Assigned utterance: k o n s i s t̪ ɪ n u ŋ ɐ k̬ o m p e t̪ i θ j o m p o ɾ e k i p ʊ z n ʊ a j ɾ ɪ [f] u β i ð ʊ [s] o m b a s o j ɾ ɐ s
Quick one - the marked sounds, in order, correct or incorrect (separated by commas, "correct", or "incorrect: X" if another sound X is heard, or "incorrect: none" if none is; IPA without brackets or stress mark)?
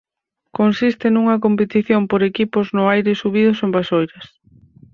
incorrect: s, correct